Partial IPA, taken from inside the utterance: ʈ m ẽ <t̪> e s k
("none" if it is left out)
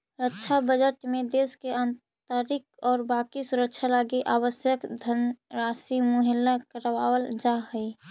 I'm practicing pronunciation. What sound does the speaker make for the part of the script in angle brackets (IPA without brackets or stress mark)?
d̪